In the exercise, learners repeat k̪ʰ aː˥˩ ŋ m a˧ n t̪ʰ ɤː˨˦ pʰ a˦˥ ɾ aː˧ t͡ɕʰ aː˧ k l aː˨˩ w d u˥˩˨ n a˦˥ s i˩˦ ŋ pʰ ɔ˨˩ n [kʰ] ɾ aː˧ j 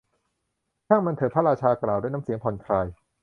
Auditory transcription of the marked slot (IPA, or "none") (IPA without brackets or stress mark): kʰ